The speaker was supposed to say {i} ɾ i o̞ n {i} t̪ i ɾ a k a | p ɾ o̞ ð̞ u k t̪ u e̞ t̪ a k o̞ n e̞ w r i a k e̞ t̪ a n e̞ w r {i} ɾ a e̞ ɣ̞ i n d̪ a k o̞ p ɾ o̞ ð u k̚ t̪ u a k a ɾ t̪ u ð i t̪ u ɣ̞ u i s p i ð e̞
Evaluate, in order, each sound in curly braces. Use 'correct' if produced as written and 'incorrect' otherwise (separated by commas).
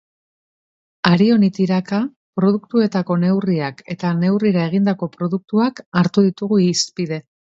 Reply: incorrect, correct, correct